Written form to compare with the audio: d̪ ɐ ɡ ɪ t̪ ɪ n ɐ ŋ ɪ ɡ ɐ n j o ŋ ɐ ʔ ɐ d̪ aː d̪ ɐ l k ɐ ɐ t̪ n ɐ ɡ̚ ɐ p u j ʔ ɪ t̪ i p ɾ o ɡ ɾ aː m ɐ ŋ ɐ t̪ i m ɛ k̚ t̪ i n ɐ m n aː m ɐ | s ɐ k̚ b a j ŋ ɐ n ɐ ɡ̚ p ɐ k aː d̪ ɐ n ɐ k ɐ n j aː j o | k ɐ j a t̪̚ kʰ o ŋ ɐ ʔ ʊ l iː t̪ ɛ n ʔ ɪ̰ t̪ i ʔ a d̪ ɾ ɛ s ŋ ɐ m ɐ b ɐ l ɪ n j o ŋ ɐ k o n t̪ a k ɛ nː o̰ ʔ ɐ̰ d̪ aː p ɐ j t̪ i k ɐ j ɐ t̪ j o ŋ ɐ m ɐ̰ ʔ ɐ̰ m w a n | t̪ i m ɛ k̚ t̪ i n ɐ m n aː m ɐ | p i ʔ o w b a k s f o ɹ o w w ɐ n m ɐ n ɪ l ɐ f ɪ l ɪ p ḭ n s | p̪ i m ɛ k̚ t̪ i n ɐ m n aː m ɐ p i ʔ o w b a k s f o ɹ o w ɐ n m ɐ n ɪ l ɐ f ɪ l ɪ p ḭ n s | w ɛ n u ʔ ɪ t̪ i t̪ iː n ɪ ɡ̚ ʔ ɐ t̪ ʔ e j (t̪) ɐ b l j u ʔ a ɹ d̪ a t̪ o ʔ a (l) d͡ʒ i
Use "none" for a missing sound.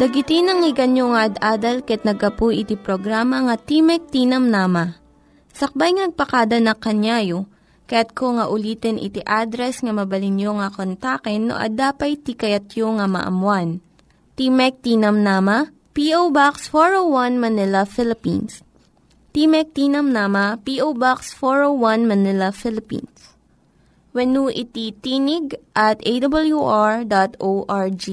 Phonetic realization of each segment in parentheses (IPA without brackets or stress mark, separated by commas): d̪, ɹ